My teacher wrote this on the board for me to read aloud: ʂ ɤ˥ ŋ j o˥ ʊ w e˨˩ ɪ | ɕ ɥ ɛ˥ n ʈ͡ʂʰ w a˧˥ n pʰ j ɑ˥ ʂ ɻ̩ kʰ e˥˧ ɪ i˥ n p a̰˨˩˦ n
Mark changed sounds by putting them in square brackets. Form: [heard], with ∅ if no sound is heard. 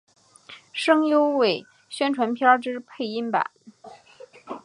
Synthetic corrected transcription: ʂ ɤ˥ ŋ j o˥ ʊ w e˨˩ ɪ | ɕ ɥ ɛ˥ n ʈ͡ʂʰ w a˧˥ n pʰ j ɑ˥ [ʈ͡ʂ] ɻ̩ [pʰ] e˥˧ ɪ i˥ n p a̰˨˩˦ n